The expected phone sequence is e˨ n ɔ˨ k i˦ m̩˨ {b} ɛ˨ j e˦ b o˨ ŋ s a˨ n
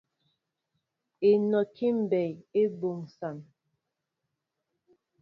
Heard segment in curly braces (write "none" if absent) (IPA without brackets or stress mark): b